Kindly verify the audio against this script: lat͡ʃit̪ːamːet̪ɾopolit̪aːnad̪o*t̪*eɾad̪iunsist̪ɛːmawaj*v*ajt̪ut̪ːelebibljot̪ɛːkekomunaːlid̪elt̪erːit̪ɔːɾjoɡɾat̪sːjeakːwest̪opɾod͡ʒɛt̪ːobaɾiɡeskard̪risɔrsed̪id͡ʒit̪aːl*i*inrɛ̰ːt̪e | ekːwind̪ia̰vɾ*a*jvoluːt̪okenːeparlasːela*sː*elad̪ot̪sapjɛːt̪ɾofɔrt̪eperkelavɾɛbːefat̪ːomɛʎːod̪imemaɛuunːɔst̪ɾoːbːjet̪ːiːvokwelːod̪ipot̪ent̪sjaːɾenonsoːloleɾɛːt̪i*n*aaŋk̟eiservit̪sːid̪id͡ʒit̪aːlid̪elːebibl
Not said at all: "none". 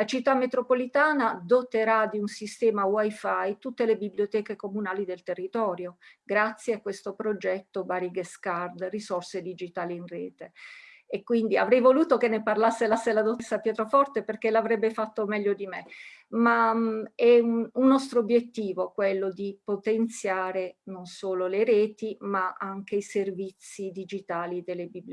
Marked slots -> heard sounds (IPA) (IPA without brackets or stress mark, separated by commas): t̪, f, i, ɛ, sː, m